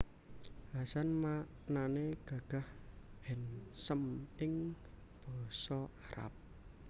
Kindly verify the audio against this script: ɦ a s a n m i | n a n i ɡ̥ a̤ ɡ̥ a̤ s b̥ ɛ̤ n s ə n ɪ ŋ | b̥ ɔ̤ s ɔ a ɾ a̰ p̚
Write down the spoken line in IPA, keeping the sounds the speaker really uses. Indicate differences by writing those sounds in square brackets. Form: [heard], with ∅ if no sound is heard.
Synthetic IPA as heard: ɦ a s a n m [a] | n a n [e] ɡ̥ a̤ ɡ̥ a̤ [h] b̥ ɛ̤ n s ə [m] ɪ ŋ | b̥ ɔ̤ s ɔ a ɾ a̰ p̚